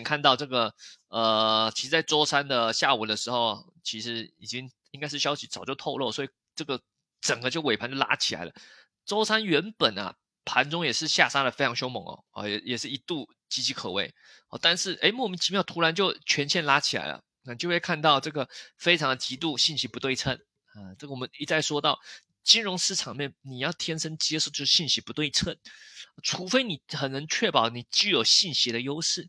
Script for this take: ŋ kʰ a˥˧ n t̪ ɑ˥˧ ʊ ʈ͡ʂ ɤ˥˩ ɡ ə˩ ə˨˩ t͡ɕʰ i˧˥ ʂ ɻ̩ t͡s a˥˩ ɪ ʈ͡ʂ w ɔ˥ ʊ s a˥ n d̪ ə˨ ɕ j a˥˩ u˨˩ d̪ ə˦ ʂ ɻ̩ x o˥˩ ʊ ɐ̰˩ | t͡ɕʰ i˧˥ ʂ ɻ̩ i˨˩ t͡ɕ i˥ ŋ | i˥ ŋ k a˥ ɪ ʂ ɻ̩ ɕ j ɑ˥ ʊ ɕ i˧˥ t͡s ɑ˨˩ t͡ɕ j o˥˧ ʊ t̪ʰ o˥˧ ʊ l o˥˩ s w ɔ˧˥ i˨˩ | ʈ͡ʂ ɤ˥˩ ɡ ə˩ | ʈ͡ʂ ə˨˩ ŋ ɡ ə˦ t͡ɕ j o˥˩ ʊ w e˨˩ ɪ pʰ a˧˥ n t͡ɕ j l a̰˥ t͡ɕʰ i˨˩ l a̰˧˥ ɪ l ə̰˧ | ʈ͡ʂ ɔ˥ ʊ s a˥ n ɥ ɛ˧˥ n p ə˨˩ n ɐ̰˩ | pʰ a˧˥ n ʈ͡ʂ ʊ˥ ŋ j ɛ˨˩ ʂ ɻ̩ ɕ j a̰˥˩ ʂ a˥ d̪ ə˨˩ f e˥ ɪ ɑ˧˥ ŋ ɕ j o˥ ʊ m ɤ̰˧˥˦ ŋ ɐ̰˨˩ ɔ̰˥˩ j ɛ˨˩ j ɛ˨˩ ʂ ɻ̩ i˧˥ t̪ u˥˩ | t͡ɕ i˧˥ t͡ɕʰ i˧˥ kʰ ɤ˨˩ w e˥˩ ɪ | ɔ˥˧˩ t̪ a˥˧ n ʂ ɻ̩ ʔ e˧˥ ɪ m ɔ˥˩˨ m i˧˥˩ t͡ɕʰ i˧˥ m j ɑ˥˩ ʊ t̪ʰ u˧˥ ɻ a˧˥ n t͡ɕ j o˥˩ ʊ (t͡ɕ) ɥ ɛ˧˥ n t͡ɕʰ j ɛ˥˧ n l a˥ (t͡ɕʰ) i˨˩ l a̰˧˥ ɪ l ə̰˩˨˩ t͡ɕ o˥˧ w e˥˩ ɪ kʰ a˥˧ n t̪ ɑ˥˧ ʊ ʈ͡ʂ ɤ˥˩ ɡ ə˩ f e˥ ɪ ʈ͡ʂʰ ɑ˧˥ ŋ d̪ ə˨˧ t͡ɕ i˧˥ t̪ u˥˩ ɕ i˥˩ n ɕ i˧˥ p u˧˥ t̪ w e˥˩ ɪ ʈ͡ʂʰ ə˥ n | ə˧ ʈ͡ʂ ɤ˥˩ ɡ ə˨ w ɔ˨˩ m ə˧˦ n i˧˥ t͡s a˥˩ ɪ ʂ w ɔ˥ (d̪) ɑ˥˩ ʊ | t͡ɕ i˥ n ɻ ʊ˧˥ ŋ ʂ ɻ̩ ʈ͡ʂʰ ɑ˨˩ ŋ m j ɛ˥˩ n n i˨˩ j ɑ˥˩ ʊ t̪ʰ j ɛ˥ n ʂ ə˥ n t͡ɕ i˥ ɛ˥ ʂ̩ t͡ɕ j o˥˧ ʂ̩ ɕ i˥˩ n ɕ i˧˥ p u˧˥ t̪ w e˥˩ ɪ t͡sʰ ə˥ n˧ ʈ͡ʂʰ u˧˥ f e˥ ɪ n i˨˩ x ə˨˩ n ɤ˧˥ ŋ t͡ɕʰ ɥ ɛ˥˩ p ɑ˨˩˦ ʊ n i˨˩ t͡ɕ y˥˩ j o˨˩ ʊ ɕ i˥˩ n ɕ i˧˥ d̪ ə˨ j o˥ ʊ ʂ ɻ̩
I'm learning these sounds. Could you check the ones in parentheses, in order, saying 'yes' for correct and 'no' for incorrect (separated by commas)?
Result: no, yes, no